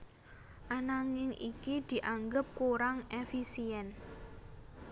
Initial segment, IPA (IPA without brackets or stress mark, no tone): ʔ